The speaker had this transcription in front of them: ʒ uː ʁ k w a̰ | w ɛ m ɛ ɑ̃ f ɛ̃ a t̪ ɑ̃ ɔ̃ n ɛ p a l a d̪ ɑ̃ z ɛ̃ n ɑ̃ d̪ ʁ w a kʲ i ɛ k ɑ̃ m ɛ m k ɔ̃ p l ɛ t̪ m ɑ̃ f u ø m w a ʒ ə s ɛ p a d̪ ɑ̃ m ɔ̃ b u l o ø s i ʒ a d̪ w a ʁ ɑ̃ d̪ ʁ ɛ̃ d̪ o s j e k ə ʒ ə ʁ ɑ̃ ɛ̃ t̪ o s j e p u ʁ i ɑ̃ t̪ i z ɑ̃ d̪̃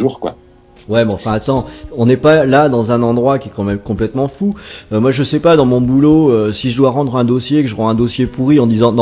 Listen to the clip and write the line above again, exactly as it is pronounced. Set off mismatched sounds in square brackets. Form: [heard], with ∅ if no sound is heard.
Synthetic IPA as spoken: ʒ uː ʁ k w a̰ | w ɛ m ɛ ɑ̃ f ɛ̃ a t̪ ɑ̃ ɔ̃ n ɛ p a l a d̪ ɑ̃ z ɛ̃ n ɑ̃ d̪ ʁ w a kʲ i ɛ k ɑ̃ m ɛ m k ɔ̃ p l ɛ t̪ m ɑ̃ f u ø m w a ʒ ə s ɛ p a d̪ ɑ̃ m ɔ̃ b u l o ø s i ʒ [ə] d̪ w a ʁ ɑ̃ d̪ ʁ ɛ̃ d̪ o s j e k ə ʒ ə ʁ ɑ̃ ɛ̃ [d̪] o s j e p u ʁ i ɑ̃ [d̪] i z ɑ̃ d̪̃